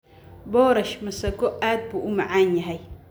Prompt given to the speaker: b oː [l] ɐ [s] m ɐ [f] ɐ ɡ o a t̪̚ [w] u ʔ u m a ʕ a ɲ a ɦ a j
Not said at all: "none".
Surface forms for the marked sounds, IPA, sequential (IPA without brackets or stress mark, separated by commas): ɾ, ʃ, s, b